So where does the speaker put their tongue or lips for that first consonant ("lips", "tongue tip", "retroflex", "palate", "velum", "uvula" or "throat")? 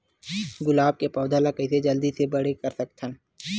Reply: velum